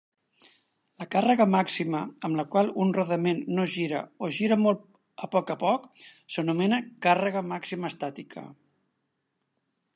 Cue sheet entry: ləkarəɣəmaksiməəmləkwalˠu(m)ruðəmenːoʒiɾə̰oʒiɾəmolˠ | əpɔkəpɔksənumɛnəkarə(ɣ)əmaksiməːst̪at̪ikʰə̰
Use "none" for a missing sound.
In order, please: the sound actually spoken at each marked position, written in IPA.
n, ɣ

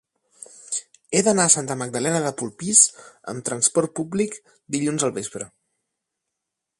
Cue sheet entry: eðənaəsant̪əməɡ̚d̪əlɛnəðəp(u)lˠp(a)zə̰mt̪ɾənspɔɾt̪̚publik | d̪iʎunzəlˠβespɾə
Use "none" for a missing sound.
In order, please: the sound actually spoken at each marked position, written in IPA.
u, i

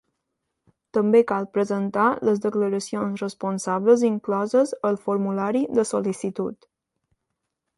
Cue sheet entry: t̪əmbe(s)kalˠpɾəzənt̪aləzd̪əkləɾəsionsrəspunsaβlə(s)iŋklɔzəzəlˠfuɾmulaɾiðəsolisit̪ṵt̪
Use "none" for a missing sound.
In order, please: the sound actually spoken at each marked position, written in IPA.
none, z

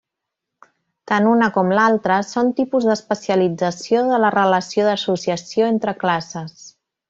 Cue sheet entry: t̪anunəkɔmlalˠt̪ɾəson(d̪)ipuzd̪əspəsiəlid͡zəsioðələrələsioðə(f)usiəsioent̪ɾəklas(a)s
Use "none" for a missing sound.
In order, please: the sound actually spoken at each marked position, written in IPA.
t̪, s, ə

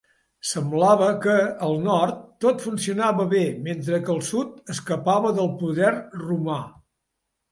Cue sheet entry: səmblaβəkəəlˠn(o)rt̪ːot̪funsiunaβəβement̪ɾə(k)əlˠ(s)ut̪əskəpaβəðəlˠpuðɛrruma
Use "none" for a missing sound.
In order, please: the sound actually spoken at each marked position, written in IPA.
ɔ, k, s

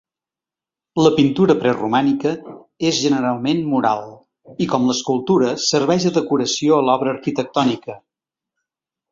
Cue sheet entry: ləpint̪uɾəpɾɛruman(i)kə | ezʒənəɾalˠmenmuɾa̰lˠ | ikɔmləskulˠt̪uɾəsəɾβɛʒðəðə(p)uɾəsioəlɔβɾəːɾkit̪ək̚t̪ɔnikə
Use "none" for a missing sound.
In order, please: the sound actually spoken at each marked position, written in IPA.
i, k

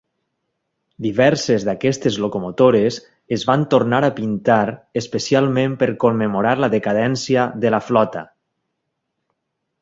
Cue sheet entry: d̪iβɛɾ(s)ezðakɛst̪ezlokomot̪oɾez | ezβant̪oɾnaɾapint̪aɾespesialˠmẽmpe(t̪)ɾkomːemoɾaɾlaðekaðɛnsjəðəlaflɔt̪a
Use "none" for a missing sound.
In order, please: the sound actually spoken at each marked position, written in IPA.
s, none

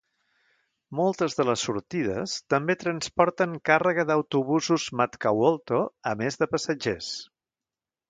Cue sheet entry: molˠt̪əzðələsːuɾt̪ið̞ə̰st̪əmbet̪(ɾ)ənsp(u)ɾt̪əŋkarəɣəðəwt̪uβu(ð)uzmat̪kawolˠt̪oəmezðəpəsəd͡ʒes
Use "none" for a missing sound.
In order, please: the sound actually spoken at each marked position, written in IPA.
ɾ, ɔ, z

